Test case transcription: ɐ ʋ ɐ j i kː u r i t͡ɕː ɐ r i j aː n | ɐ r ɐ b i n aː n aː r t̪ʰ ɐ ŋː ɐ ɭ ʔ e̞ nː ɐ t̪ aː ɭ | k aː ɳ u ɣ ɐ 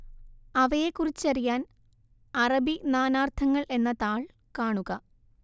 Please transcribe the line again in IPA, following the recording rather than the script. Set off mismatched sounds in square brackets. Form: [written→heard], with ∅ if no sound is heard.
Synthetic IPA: ɐ ʋ ɐ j [i→e] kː u r i t͡ɕː ɐ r i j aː n | ɐ r ɐ b i n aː n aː r t̪ʰ ɐ ŋː ɐ ɭ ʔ e̞ nː ɐ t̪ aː ɭ | k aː ɳ u ɣ ɐ

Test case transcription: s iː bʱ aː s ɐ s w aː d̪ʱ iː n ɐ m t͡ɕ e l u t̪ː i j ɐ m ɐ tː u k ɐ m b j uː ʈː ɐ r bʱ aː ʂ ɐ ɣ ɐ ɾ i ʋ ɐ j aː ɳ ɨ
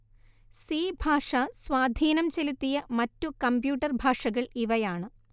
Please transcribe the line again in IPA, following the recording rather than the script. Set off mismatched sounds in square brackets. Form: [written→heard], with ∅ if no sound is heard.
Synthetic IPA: s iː bʱ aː [s→ʂ] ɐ s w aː d̪ʱ iː n ɐ m t͡ɕ e l u t̪ː i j ɐ m ɐ tː u k ɐ m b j uː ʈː ɐ r bʱ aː ʂ ɐ ɣ ɐ [ɾ→ɭ] i ʋ ɐ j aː ɳ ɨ

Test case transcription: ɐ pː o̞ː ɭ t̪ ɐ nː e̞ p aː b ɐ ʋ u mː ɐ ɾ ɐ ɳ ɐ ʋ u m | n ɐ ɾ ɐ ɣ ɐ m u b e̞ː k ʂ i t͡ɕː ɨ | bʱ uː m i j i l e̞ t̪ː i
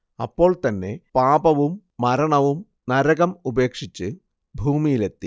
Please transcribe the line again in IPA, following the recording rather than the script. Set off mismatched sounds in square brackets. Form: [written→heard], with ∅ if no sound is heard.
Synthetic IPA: ɐ pː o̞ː ɭ t̪ ɐ nː e̞ p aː b ɐ ʋ u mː ɐ ɾ ɐ ɳ ɐ ʋ u m | n ɐ ɾ ɐ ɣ ɐ m u b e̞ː k ʂ i t͡ɕː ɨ | bʱ uː m i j i l e̞ t̪ː i

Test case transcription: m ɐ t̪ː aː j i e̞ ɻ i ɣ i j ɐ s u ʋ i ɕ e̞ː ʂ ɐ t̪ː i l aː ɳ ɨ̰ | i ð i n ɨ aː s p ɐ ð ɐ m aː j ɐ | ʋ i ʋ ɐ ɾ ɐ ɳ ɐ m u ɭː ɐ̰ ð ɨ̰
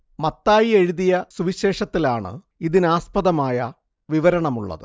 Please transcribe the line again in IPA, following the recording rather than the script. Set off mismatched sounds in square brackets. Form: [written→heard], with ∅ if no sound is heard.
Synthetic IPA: m ɐ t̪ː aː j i e̞ ɻ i [ɣ→ð] i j ɐ s u ʋ i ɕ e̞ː ʂ ɐ t̪ː i l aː ɳ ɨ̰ | i ð i n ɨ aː s p ɐ ð ɐ m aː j ɐ | ʋ i ʋ ɐ ɾ ɐ ɳ ɐ m u ɭː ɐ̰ ð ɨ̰

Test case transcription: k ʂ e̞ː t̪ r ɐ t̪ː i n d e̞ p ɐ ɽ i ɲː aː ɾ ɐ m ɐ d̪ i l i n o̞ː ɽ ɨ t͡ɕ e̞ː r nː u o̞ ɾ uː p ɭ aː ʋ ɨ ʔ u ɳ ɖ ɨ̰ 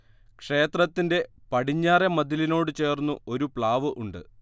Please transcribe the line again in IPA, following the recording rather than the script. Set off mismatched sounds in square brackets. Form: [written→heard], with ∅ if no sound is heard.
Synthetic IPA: k ʂ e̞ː t̪ r ɐ t̪ː i n d e̞ p ɐ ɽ i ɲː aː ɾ ɐ m ɐ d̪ i l i n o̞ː ɽ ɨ t͡ɕ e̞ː r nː u o̞ ɾ [uː→u] p ɭ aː ʋ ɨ ʔ u ɳ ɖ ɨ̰

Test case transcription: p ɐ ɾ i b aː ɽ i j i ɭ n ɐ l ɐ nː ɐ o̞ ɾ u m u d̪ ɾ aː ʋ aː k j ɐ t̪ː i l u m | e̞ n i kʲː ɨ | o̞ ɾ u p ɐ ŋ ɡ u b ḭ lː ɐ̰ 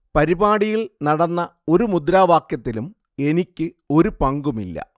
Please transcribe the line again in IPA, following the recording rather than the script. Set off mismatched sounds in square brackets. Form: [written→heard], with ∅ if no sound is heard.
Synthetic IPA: p ɐ ɾ i b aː ɽ i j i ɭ n ɐ [l→ɽ] ɐ nː ɐ o̞ ɾ u m u d̪ ɾ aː ʋ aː k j ɐ t̪ː i l u m | e̞ n i kʲː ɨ | o̞ ɾ u p ɐ ŋ ɡ u [b→m] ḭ lː ɐ̰

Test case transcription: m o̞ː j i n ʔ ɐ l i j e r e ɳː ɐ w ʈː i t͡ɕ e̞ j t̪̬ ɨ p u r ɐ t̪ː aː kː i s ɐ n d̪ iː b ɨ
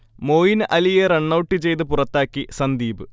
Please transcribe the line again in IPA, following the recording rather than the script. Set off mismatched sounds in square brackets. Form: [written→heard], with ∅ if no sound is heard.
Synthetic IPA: m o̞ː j i n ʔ ɐ l i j e r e ɳː ɐ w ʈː i t͡ɕ e̞ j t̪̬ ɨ p u r ɐ t̪ː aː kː i s ɐ n d̪ iː b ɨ

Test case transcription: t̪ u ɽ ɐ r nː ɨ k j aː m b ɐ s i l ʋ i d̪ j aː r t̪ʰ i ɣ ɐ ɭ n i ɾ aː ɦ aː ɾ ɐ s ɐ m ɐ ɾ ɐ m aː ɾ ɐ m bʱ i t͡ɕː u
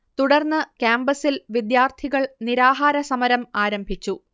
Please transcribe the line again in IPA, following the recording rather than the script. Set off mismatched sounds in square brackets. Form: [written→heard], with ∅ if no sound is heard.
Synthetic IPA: t̪ u ɽ ɐ r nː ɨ k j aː m b ɐ s i l ʋ i d̪ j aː r t̪ʰ i ɣ ɐ ɭ n i ɾ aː ɦ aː ɾ ɐ s ɐ m ɐ ɾ ɐ m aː ɾ ɐ m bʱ i t͡ɕː u

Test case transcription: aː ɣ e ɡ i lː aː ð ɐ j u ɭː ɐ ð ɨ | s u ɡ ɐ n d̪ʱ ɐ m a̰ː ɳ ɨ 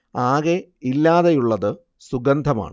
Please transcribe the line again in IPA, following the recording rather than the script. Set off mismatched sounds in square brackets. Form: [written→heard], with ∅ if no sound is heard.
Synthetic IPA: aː ɣ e [ɡ→∅] i lː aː ð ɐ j u ɭː ɐ ð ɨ | s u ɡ ɐ n d̪ʱ ɐ m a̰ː ɳ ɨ

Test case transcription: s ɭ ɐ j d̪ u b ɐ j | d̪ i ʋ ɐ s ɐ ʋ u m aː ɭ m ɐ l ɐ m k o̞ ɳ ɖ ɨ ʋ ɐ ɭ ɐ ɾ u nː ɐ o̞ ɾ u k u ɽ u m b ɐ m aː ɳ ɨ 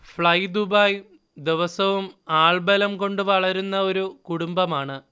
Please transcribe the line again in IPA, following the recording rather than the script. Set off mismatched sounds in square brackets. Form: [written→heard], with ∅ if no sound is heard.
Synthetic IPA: [s→f] ɭ ɐ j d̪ u b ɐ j | d̪ i ʋ ɐ s ɐ ʋ u m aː ɭ [m→b] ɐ l ɐ m k o̞ ɳ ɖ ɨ ʋ ɐ ɭ ɐ ɾ u nː ɐ o̞ ɾ u k u ɽ u m b ɐ m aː ɳ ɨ

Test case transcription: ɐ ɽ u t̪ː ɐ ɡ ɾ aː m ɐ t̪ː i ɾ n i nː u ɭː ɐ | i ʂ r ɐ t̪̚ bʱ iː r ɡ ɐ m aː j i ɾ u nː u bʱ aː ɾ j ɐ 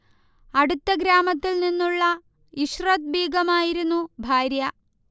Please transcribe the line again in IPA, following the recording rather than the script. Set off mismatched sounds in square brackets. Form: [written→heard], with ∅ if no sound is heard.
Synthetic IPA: ɐ ɽ u t̪ː ɐ ɡ ɾ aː m ɐ t̪ː i [ɾ→l] n i nː u ɭː ɐ | i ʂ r ɐ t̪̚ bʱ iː [r→∅] ɡ ɐ m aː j i ɾ u nː u bʱ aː ɾ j ɐ

